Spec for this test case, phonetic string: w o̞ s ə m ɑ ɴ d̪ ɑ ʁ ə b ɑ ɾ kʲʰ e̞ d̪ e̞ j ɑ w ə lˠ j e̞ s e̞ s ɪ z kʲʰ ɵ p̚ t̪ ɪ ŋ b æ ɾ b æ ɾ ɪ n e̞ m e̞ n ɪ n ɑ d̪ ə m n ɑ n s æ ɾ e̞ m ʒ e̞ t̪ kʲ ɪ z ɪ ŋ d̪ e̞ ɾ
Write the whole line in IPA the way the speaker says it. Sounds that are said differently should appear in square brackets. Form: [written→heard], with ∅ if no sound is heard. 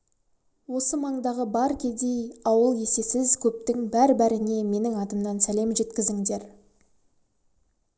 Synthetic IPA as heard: w o̞ s ə m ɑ ɴ d̪ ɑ ʁ ə b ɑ ɾ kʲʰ e̞ d̪ e̞ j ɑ w ə lˠ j e̞ s e̞ s ɪ z kʲʰ ɵ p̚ t̪ ɪ ŋ b æ ɾ b æ ɾ ɪ n e̞ m e̞ n ɪ [n→ŋ] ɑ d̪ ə m n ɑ n s æ [ɾ→l] e̞ m ʒ e̞ t̪ kʲ ɪ z ɪ ŋ d̪ e̞ ɾ